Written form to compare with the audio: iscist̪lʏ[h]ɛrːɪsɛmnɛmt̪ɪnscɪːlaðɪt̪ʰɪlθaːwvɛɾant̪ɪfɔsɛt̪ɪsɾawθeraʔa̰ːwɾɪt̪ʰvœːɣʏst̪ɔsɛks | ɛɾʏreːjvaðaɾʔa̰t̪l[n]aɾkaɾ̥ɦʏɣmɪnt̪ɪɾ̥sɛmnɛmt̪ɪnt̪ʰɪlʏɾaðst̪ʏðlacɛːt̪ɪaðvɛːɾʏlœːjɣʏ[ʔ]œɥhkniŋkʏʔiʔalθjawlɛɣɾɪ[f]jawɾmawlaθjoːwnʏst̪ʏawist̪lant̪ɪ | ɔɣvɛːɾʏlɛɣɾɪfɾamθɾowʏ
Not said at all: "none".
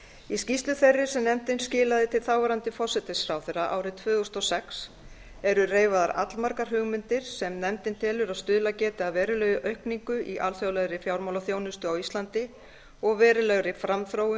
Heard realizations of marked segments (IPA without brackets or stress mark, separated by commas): θ, m, ʔ, f